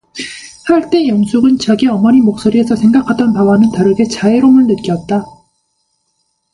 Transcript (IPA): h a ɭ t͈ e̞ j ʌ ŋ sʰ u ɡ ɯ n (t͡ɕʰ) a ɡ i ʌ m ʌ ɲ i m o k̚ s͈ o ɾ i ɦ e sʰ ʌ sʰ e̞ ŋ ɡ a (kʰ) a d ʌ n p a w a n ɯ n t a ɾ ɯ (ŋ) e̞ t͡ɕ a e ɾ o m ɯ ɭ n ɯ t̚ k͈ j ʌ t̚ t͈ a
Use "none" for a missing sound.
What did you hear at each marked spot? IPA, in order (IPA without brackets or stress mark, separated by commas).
t͡ɕ, kʰ, ɡ